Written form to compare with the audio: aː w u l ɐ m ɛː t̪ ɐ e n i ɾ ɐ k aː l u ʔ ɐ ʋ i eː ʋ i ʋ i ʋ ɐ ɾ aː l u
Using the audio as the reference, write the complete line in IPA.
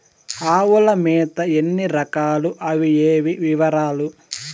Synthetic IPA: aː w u l ɐ m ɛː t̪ ɐ e nː i ɾ ɐ k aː l u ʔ ɐ ʋ i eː ʋ i ʋ i ʋ ɐ ɾ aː l u

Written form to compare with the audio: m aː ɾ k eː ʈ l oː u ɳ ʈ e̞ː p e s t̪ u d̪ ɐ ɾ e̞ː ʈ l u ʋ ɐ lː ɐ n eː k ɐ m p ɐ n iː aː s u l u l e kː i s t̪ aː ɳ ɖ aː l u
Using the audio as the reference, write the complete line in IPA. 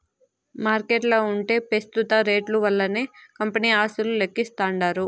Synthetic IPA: m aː ɾ k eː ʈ l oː u ɳ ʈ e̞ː p e s t̪ u t̪ ɐ ɾ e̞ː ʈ l u ʋ ɐ lː ɐ n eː k ɐ m p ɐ n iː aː s u l u l e kː i s t̪ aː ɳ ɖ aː ɾ u

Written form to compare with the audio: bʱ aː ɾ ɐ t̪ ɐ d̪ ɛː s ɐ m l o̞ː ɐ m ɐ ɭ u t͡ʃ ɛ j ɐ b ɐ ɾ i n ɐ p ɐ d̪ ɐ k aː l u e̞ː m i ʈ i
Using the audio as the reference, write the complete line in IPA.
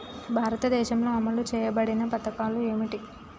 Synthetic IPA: bʱ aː ɾ ɐ t̪ ɐ d̪ ɛː ʃ ɐ m l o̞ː ɐ m ɐ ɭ u t͡ʃ ɛː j ɐ b ɐ ɽ i n ɐ p ɐ t̪ ɐ k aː l u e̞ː m i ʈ i

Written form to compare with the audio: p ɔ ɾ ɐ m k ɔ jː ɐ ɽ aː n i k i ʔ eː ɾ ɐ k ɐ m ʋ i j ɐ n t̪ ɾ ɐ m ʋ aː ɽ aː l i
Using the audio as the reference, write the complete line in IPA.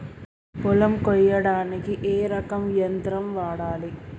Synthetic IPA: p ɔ l ɐ m k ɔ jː ɐ ɽ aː n i k i ʔ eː ɾ ɐ k ɐ m ʋ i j ɐ n t̪ ɾ ɐ m ʋ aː ɽ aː l i

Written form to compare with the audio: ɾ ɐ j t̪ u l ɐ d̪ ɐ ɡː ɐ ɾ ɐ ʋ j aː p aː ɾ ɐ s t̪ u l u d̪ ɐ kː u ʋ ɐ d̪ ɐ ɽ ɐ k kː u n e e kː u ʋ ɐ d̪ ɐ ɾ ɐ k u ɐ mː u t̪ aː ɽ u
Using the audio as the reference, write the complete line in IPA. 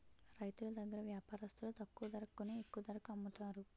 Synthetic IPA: ɾ ɐ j t̪ u l ɐ d̪ ɐ ɡː ɐ ɾ ɐ ʋ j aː p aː ɾ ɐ s t̪ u l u t̪ ɐ kː u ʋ ɐ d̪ ɐ ɾ ɐ k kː u n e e kː u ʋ ɐ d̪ ɐ ɾ ɐ k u ɐ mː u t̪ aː ɾ u

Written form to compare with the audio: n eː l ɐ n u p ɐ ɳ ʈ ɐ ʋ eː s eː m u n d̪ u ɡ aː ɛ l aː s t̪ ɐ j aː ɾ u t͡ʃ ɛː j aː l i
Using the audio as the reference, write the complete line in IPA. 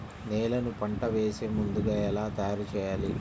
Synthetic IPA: n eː l ɐ n u p ɐ ɳ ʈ ɐ ʋ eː s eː m u n d̪ u ɡ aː ɛ l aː t̪ ɐ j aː ɾ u t͡ʃ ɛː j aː l i

